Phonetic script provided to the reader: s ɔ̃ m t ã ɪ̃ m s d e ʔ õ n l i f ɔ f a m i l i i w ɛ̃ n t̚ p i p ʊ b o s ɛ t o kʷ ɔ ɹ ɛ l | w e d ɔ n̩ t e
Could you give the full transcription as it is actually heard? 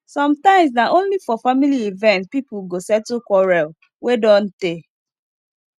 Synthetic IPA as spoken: s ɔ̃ m t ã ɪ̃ m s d a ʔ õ n l i f ɔ f a m i l i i v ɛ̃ n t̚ p i p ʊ ɡ o s ɛ t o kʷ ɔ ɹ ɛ l | w e d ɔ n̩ t e

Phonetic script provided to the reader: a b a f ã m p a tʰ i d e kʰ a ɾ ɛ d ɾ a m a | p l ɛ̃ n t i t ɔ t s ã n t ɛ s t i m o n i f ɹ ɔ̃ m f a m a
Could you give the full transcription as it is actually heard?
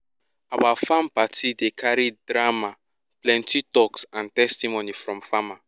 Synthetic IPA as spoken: a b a f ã m p a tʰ i d e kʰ a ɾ i d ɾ a m a | p l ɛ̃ n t i t ɔ k s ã n t ɛ s t i m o n i f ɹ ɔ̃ m f a m a

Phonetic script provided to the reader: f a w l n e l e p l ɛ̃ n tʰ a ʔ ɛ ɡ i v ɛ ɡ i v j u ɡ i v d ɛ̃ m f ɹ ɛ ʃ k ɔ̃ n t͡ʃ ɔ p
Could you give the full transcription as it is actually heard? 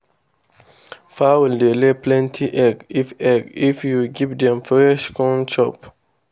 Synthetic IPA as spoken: f a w l d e l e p l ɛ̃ n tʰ i ʔ ɛ ɡ i f ɛ ɡ i f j u ɡ i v d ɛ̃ m f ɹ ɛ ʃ k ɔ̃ n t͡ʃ ɔ p

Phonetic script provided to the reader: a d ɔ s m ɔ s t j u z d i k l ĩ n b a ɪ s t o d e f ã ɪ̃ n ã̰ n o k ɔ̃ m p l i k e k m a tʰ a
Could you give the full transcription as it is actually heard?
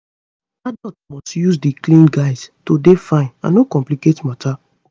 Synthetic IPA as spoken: a d ɔ t m ɔ s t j u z d i k l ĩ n ɡ a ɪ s t o d e f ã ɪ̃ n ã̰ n o k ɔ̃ m p l i k e t m a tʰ a

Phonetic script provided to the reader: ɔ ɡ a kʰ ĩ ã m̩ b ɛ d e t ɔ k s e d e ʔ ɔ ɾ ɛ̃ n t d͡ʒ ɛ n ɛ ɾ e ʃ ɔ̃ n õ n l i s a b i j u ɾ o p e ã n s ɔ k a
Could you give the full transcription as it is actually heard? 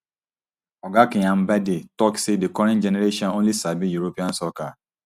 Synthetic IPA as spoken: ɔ ɡ a k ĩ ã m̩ b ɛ d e t ɔ k s e d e k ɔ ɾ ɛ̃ n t d͡ʒ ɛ n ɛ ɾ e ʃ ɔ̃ n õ n l i s a b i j u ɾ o p i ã n s ɔ k a

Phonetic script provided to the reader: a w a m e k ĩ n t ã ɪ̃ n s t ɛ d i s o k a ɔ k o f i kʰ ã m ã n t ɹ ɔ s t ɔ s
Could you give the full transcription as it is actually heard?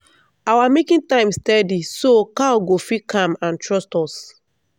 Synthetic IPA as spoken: a w a m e k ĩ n t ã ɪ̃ m s t ɛ d i s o k a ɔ ɡ o f i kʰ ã m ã n t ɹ ɔ s t ɔ s

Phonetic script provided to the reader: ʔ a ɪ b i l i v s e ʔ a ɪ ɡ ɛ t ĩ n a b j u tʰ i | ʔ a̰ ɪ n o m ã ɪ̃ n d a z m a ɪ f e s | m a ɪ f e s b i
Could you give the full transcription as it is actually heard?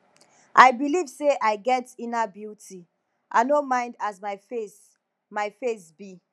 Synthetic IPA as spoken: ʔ a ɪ b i l i v s e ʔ a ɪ ɡ ɛ t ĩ n a b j u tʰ i | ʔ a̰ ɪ n o m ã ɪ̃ n d a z m a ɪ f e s | m a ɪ f e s b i

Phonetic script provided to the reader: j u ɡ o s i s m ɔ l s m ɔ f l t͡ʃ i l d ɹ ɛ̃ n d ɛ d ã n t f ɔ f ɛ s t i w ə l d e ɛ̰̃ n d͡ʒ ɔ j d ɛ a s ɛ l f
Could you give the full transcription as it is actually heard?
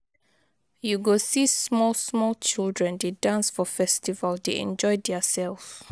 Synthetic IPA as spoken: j u ɡ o s i s m ɔ l s m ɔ l t͡ʃ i l d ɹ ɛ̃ n d e d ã n s f ɔ f ɛ s t i v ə l d e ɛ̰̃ n d͡ʒ ɔ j d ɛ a s ɛ l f

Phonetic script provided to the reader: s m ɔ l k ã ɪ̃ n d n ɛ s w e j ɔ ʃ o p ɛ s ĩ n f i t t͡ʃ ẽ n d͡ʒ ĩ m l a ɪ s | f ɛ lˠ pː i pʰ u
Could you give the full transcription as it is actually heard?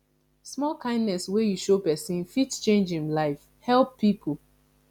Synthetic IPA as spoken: s m ɔ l k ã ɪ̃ n d n ɛ s w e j u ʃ o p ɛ s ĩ n f i t t͡ʃ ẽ n d͡ʒ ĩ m l a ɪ f | h ɛ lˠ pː i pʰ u

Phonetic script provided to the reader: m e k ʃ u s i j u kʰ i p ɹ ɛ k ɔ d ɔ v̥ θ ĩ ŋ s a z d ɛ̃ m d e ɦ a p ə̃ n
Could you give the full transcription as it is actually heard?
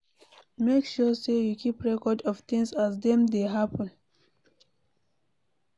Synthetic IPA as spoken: m e k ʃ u s e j u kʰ i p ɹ ɛ k ɔ d ɔ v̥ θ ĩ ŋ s a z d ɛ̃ m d e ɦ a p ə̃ n

